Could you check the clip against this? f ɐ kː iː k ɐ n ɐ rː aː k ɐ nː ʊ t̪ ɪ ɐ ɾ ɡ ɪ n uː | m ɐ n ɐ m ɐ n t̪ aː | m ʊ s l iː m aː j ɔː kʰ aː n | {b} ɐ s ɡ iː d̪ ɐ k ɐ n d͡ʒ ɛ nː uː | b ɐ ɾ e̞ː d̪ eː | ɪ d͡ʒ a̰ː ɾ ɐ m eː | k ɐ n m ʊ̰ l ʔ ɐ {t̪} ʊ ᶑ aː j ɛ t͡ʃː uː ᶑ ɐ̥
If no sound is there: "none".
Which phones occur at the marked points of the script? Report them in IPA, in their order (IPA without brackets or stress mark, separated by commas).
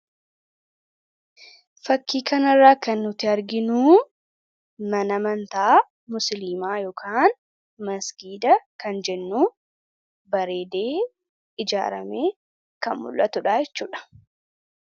m, t̪